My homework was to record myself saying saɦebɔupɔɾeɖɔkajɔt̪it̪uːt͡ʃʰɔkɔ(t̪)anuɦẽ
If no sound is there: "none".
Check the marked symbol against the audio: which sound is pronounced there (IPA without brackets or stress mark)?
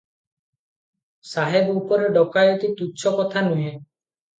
t̪ʰ